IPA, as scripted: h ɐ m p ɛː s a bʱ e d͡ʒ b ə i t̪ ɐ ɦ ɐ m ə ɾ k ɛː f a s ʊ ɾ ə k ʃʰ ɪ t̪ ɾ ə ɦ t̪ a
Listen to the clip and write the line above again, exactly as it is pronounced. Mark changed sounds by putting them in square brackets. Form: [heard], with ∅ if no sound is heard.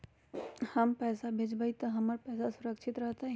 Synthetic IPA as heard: h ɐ m p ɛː s a bʱ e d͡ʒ b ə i t̪ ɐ ɦ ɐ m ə ɾ [p] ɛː [s] a s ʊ ɾ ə k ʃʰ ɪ t̪ ɾ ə ɦ t̪ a